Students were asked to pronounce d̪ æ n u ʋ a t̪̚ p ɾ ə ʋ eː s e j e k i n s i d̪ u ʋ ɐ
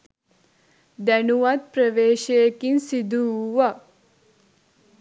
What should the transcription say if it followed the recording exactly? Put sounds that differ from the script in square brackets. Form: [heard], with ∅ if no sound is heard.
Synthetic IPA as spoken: d̪ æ n u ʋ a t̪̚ p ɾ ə ʋ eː [ʃ] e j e k i n s i d̪ u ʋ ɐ